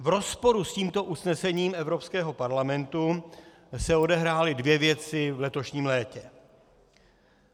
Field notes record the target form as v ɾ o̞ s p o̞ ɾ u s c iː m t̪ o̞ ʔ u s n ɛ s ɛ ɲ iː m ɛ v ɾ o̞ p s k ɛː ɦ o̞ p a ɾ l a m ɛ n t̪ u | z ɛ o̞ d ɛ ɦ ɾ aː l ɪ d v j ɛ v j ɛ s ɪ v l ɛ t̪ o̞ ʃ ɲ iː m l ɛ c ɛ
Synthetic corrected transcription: v ɾ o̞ s p o̞ ɾ u s c iː m t̪ o̞ ʔ u s n ɛ s ɛ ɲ iː m ɛ v ɾ o̞ p s k ɛː ɦ o̞ p a ɾ l a m ɛ n t̪ u | s ɛ o̞ d ɛ ɦ ɾ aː l ɪ d v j ɛ v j ɛ t͡s ɪ v l ɛ t̪ o̞ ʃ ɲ iː m l ɛː c ɛ